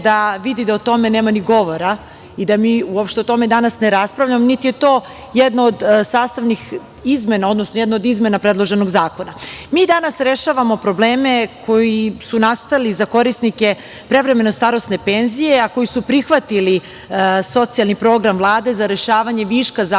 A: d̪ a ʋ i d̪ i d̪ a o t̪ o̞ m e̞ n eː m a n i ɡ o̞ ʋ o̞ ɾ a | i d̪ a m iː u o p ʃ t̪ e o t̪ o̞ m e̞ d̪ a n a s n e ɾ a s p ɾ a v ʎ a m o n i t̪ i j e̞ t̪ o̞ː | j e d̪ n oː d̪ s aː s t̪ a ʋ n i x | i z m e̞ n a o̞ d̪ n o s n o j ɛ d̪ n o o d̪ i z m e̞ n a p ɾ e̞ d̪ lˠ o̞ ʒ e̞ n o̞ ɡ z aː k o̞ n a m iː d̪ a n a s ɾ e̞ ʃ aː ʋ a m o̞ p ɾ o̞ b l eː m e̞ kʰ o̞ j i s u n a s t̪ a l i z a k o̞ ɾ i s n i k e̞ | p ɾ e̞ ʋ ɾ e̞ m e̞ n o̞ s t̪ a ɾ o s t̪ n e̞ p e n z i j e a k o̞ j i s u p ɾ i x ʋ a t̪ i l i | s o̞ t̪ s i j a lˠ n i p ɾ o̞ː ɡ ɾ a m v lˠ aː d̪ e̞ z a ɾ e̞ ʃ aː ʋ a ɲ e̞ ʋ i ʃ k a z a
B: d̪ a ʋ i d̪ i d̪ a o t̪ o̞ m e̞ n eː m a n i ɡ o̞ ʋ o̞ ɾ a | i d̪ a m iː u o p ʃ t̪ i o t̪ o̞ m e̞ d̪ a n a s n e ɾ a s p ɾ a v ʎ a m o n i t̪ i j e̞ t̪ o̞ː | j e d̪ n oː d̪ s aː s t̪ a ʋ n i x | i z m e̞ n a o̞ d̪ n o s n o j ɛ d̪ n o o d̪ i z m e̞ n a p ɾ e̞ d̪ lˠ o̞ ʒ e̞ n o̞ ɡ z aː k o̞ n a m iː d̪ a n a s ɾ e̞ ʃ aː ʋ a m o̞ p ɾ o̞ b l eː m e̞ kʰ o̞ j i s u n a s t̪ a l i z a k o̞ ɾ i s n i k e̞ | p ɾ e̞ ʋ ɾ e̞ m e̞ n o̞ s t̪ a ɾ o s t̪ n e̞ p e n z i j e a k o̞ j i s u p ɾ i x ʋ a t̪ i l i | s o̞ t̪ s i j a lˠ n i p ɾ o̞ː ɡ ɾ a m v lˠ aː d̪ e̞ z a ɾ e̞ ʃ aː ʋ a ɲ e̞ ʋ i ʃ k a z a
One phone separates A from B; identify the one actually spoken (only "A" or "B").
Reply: A